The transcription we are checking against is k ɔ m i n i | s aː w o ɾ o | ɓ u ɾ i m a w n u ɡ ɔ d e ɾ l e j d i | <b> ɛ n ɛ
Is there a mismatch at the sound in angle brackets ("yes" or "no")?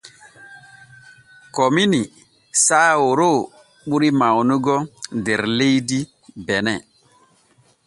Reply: no